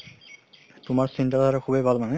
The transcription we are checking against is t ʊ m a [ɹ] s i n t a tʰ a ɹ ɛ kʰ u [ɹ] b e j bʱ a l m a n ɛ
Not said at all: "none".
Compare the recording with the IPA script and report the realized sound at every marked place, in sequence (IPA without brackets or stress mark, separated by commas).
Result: ɹ, none